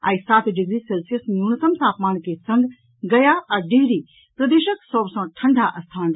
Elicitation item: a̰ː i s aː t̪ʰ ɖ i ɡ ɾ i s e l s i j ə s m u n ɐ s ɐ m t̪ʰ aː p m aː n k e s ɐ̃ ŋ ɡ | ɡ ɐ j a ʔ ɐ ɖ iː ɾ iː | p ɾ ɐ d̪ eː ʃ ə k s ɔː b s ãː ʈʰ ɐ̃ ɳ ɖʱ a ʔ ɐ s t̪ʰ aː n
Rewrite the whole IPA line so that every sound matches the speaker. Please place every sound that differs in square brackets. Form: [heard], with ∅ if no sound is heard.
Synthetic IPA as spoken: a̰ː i s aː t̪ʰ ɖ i ɡ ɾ i s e l s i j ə s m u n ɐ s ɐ m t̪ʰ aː p m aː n k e s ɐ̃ ŋ ɡ | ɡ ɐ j a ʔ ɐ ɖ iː ɾ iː | p ɾ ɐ d̪ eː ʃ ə k s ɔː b s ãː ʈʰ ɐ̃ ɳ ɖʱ a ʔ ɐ s t̪ʰ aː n